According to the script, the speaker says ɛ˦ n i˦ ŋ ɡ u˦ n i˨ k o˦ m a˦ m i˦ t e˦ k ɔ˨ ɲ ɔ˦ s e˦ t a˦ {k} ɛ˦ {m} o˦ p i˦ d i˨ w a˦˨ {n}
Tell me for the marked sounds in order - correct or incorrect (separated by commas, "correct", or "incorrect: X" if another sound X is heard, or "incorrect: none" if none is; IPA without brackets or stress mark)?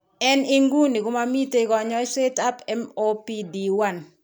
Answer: incorrect: p, correct, correct